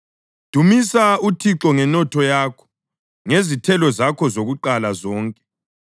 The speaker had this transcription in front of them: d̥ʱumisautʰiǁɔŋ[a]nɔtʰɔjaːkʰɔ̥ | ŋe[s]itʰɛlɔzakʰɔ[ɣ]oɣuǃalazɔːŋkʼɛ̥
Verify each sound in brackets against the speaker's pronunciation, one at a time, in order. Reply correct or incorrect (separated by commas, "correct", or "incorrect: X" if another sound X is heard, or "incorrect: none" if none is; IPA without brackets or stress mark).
incorrect: ɛ, incorrect: z, incorrect: z